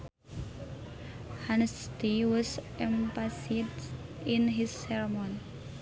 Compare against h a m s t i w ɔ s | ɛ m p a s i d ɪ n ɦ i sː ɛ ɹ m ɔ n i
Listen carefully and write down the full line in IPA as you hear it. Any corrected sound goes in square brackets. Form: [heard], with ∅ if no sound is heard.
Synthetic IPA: h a [n] s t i w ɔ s | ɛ m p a s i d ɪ n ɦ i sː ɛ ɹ m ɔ n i